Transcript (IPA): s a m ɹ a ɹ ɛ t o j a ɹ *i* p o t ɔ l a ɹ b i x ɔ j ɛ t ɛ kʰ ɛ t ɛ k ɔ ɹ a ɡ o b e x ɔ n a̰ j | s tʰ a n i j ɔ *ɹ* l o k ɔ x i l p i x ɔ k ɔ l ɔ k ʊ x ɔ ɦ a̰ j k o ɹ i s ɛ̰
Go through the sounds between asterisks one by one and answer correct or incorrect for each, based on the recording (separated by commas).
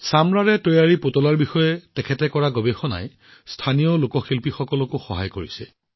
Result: correct, incorrect